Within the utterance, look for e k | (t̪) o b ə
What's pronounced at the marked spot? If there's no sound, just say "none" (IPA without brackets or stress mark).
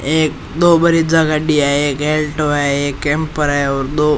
d̪